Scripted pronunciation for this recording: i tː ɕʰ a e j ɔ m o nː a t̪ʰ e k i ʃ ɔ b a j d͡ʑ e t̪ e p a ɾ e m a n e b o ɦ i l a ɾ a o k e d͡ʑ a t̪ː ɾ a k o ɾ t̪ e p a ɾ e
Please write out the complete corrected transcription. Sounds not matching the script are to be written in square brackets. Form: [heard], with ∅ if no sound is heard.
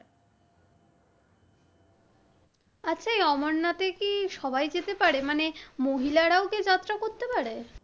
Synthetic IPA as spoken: [a] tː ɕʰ a e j ɔ m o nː a [t̪] e k i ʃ ɔ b a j d͡ʑ e t̪ e p a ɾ e m a n e [m] o ɦ i l a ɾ a o k e d͡ʑ a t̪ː ɾ a k o ɾ t̪ e p a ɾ e

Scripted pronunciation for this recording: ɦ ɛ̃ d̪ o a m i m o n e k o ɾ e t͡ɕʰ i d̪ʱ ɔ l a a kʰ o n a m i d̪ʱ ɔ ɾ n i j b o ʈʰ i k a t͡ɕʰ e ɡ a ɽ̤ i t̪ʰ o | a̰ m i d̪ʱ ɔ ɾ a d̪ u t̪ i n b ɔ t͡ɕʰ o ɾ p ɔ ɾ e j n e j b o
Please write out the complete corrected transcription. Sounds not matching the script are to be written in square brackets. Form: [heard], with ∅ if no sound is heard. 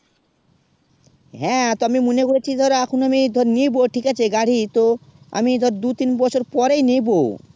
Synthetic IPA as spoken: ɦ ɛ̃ [t̪] o a m i m o n e k o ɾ e t͡ɕʰ i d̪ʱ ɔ [ɾ] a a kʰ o n a m i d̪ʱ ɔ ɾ n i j b o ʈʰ i k a t͡ɕʰ e ɡ a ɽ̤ i [t̪] o | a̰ m i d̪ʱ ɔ ɾ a d̪ u t̪ i n b ɔ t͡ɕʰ o ɾ p ɔ ɾ e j n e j b o

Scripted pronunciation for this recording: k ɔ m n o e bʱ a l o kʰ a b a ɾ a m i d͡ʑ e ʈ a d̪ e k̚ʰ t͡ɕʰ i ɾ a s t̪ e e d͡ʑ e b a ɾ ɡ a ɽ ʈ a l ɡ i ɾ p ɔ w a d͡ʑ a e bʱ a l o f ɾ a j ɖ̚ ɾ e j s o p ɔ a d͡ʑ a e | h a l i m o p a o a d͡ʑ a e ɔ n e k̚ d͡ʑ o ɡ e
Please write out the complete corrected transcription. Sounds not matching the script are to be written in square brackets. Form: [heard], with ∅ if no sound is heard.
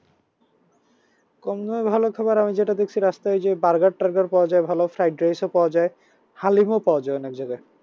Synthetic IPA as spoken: k ɔ m n o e bʱ a l o kʰ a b a ɾ a m i d͡ʑ e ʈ a d̪ e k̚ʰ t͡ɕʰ i ɾ a s t̪ [a] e d͡ʑ e b a ɾ ɡ a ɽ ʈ a [ɾ] ɡ [a] ɾ p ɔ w a d͡ʑ a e bʱ a l o f ɾ a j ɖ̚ ɾ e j s o p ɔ a d͡ʑ a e | h a l i m o p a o a d͡ʑ a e ɔ n e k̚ d͡ʑ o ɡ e

